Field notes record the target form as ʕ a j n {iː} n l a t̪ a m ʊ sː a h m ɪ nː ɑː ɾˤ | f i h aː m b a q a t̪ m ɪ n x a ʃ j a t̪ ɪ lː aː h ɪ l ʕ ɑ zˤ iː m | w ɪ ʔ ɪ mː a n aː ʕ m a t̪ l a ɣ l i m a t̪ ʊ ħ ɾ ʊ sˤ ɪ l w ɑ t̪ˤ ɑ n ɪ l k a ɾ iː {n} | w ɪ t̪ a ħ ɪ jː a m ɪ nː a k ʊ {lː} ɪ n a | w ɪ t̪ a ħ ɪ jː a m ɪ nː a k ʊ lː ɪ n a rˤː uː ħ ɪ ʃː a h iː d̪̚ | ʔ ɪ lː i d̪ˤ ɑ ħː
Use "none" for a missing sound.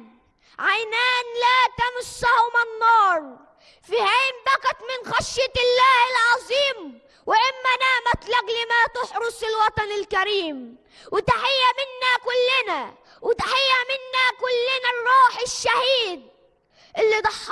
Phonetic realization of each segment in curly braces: aː, m, lː

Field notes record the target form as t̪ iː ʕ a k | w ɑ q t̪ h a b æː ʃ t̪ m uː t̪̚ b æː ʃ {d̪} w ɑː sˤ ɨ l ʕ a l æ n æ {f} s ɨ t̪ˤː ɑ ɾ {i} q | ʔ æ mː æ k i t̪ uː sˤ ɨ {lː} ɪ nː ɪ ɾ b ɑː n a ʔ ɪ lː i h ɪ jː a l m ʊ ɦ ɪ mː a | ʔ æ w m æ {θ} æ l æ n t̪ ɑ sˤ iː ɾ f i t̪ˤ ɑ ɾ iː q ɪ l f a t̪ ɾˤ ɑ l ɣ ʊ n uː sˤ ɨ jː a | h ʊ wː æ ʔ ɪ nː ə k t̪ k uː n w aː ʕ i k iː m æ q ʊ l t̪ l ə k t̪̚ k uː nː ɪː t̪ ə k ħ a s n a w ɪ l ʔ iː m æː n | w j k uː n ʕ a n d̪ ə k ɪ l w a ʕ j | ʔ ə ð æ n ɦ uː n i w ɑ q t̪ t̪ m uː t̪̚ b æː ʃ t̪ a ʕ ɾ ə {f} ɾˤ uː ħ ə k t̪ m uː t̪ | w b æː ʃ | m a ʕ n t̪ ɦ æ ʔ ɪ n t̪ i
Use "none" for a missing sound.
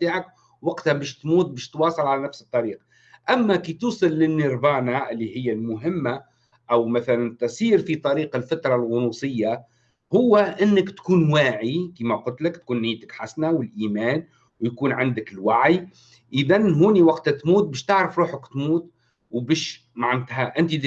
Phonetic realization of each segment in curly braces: t̪, f, iː, lː, θ, f

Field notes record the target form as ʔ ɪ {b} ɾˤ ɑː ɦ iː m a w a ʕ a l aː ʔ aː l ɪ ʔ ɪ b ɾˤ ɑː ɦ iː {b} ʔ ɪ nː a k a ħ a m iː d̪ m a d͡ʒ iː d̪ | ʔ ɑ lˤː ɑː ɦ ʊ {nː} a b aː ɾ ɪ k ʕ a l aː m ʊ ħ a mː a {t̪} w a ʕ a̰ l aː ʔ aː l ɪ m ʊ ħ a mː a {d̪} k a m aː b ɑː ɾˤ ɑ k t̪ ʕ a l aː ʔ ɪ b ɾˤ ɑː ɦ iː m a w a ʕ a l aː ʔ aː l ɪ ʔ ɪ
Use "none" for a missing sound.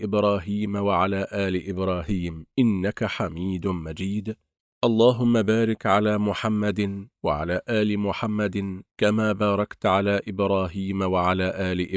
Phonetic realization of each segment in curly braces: b, m, mː, d̪, d̪

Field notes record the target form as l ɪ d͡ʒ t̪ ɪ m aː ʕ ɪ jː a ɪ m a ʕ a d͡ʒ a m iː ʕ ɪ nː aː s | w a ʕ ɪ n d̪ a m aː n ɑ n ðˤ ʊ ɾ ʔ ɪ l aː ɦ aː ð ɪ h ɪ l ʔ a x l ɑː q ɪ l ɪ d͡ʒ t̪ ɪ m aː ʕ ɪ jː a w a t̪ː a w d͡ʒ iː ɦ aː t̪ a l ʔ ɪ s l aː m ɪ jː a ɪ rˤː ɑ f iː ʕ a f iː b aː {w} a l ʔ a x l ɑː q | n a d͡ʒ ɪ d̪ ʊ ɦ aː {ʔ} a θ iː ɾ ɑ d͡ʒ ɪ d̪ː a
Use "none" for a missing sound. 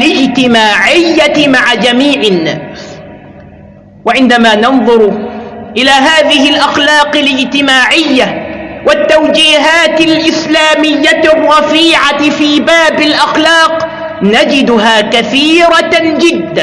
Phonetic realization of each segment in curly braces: b, k

